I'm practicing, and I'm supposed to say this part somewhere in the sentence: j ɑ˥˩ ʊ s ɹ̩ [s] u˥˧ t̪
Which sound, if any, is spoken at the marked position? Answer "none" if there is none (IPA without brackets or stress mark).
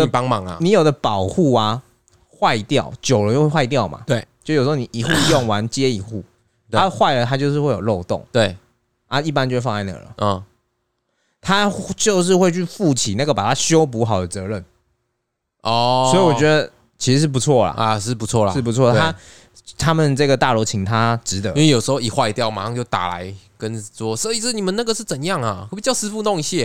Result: f